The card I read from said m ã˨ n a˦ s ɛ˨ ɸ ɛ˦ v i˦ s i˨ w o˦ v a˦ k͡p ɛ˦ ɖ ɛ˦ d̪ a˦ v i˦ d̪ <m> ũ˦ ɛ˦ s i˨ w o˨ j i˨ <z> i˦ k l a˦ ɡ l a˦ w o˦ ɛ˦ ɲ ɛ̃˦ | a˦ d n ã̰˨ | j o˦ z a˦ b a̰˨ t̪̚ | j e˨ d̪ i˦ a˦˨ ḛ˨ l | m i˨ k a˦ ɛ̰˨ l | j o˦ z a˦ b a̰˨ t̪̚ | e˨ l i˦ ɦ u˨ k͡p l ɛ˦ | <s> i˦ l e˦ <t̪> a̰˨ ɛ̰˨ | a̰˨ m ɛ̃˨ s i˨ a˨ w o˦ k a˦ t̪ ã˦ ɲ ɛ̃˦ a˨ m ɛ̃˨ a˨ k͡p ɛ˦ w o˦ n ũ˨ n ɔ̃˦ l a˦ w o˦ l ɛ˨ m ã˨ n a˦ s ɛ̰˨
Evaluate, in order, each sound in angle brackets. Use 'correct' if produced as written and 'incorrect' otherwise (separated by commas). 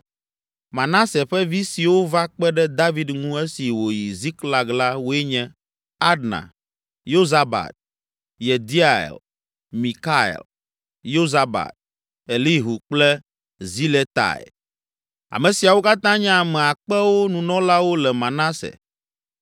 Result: incorrect, correct, incorrect, correct